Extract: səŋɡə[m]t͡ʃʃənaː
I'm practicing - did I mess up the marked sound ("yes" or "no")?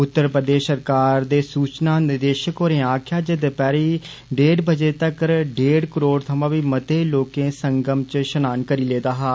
no